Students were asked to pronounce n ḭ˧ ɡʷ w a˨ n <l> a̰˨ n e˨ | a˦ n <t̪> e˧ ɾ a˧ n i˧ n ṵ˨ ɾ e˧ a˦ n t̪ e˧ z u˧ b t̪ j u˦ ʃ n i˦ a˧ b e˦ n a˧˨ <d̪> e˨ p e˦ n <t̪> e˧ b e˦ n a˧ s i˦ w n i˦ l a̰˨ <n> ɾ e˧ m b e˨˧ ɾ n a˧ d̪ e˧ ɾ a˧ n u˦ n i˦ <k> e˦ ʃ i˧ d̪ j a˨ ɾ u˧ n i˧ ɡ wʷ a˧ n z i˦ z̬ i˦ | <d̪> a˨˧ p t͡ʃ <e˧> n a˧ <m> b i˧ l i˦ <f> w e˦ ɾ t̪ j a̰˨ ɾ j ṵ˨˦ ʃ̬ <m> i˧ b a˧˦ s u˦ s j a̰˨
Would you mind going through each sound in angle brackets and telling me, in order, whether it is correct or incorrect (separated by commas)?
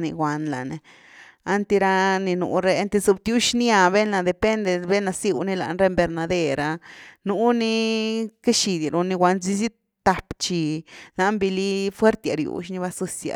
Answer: correct, correct, correct, incorrect, correct, correct, incorrect, incorrect, correct, correct, incorrect